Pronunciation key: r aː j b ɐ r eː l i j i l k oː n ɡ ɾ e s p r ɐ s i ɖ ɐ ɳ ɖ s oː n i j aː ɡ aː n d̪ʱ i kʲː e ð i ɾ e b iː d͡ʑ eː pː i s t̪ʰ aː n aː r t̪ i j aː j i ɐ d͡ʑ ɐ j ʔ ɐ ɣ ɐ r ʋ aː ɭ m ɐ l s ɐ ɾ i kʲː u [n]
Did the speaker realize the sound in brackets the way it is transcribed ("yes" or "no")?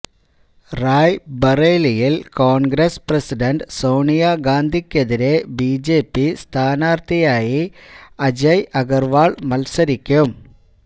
no